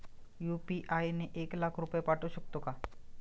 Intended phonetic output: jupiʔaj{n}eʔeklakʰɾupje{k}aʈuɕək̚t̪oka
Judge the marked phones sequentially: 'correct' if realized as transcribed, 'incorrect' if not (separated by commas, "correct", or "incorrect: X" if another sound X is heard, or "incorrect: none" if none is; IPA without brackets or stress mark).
correct, incorrect: p